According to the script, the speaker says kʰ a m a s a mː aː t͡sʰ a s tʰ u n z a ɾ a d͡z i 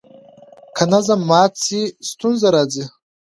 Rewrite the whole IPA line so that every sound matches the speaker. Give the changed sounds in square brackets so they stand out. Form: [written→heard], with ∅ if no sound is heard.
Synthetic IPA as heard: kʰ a [m→n] a [s→z] a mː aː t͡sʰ [a→i] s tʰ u n z a ɾ a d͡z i